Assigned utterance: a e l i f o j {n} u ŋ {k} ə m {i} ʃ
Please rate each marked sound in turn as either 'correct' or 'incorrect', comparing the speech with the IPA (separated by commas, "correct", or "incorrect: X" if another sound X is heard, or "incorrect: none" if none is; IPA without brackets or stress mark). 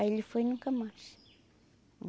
correct, correct, incorrect: a